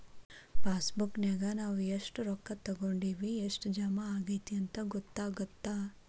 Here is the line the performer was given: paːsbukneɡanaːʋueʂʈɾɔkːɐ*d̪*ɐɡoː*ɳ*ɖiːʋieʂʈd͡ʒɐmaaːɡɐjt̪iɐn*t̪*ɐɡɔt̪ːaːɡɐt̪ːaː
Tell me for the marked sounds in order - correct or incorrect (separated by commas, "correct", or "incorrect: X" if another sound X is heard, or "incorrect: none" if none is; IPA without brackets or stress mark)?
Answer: incorrect: t̪, correct, correct